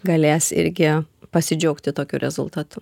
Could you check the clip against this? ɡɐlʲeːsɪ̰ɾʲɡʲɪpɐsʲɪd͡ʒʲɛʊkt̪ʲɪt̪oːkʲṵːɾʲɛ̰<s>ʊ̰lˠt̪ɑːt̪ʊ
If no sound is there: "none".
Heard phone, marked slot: z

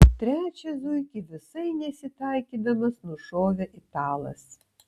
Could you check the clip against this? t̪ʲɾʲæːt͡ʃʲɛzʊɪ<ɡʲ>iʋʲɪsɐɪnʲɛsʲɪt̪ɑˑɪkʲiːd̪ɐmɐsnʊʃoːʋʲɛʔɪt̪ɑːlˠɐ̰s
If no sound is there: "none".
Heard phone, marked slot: kʲ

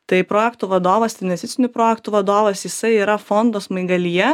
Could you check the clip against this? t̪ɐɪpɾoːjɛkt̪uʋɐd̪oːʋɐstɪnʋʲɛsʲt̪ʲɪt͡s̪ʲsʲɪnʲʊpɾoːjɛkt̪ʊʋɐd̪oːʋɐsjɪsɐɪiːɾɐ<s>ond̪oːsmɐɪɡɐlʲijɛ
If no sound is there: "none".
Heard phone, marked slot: f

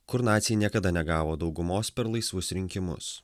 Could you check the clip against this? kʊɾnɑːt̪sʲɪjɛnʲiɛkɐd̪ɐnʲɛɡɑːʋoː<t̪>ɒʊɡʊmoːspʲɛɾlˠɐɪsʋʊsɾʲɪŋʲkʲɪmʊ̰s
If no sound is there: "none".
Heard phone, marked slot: d̪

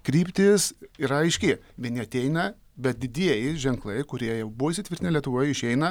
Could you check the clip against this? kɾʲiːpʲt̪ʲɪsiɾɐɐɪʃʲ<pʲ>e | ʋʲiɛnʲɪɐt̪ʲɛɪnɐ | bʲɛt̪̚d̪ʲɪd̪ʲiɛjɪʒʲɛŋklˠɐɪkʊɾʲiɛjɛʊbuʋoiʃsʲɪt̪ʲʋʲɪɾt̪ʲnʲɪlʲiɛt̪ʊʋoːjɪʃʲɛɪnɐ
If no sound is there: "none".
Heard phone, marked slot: kʲ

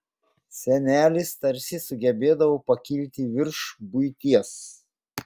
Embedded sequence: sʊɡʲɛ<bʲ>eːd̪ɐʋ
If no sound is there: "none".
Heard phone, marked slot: bʲ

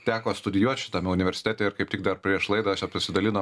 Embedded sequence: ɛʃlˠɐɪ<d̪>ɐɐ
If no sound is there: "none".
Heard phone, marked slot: d̪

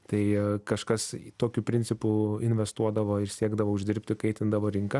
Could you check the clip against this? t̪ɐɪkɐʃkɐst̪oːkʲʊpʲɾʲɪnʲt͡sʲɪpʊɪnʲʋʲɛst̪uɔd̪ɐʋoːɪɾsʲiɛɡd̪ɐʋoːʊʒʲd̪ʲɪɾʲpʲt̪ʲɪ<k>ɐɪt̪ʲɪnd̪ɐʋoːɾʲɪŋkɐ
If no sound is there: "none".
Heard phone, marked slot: k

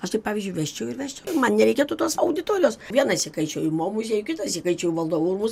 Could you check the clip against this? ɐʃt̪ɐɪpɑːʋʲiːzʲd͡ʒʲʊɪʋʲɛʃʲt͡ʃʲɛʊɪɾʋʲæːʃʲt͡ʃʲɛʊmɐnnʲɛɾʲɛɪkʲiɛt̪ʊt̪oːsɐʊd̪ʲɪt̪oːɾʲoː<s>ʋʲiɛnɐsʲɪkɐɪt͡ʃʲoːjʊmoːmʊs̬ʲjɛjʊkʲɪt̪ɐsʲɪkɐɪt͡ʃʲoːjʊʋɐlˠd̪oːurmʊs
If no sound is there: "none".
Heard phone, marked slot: s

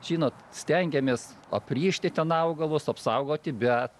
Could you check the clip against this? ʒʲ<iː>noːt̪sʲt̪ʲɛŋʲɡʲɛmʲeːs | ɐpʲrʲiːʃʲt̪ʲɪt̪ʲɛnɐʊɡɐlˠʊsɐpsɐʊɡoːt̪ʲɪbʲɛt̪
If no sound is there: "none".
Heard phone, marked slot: iː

